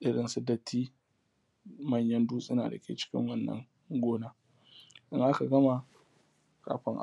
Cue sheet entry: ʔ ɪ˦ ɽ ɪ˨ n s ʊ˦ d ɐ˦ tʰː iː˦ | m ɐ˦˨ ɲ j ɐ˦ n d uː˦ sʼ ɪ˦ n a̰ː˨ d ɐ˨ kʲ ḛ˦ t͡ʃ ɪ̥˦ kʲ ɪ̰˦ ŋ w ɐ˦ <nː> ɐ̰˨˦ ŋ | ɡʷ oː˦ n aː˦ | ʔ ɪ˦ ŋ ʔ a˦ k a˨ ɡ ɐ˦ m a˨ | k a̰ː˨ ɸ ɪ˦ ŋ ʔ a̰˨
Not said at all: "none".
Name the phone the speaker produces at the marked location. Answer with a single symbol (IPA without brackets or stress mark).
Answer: nː